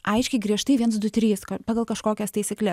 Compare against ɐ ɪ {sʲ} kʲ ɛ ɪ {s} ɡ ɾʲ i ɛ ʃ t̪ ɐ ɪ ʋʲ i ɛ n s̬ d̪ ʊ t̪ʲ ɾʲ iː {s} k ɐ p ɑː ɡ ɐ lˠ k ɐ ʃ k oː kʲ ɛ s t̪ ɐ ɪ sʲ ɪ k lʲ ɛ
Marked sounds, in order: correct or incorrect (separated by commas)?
incorrect, incorrect, correct